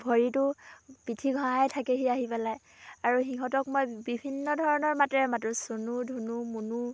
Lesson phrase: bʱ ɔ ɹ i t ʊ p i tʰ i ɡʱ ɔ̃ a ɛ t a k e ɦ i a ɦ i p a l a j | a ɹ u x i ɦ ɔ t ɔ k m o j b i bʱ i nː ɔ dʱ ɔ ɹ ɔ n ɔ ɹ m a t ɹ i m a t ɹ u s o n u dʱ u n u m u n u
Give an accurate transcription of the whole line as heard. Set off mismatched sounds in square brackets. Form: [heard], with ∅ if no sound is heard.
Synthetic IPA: bʱ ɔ ɹ i t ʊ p i tʰ i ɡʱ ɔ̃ a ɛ [tʰ] a k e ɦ i a ɦ i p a l a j | a ɹ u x i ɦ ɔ t ɔ k m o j b i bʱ i nː ɔ dʱ ɔ ɹ ɔ n ɔ ɹ m a t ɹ [ɛ] m a t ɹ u s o n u dʱ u n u m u n u

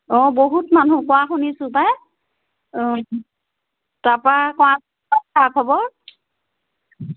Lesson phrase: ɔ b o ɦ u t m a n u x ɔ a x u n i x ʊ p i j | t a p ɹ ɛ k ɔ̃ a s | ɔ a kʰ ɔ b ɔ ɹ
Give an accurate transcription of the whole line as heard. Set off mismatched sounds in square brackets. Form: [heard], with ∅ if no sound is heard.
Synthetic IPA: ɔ b o ɦ u t m a n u [k] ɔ a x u n i [s] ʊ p [a] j | t a p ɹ [a] k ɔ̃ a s | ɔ a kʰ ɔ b ɔ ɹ

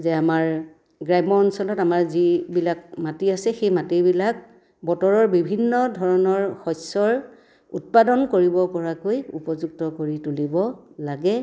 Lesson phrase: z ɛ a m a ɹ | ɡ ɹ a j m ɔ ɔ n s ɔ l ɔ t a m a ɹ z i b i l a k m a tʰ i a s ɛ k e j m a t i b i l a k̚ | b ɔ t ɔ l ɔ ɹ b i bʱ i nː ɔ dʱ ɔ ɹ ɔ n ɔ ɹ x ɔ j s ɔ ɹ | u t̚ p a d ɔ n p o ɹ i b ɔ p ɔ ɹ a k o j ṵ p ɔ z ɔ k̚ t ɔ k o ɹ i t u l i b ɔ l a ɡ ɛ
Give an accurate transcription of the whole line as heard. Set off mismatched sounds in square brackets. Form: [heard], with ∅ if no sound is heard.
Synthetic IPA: z ɛ a m a ɹ | ɡ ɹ a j m ɔ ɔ n s ɔ l ɔ t a m a ɹ z i b i l a k m a [t] i a s ɛ [x] e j m a t i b i l a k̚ | b ɔ t ɔ [ɹ] ɔ ɹ b i bʱ i nː ɔ dʱ ɔ ɹ ɔ n ɔ ɹ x ɔ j s ɔ ɹ | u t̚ p a d ɔ n [k] o ɹ i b ɔ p ɔ ɹ a k o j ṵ p ɔ z [u] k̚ t ɔ k o ɹ i t u l i b ɔ l a ɡ ɛ

